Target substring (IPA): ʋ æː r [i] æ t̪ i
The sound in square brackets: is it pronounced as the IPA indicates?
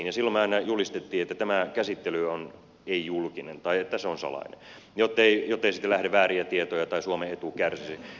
yes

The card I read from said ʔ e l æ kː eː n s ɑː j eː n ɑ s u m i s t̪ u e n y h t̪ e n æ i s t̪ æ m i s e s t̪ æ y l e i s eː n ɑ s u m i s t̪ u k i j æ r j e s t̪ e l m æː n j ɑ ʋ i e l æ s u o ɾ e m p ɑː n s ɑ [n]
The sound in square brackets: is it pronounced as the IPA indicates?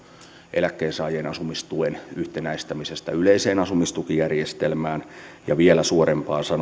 yes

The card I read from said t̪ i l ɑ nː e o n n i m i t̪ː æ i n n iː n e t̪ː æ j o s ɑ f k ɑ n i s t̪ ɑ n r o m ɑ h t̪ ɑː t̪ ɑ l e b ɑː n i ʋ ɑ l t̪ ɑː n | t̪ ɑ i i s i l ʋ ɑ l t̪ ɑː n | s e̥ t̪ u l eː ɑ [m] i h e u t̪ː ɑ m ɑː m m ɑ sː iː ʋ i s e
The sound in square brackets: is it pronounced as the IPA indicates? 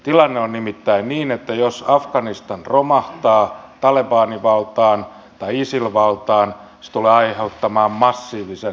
no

